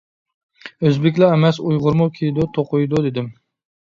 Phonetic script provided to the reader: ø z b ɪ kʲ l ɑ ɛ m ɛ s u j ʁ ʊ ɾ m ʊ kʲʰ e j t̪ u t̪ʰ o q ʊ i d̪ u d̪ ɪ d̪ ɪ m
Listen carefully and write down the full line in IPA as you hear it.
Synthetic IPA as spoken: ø z b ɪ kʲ l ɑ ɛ m ɛ s u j ʁ ʊ ɾ m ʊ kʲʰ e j d̪ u t̪ʰ o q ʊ j d̪ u d̪ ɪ d̪ ɪ m